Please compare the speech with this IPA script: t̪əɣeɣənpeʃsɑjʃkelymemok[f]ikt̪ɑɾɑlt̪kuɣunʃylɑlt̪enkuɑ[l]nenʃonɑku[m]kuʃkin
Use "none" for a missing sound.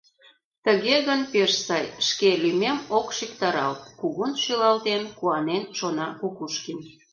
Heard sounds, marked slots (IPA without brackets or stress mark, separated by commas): ʃ, none, none